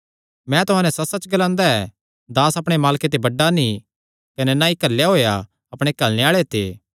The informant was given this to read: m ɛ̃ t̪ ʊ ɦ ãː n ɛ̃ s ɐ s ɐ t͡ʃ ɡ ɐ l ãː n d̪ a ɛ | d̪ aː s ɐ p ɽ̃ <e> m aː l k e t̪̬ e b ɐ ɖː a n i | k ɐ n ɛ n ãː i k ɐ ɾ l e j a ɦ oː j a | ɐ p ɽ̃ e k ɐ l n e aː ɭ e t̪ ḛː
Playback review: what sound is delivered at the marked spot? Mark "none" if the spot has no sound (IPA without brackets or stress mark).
e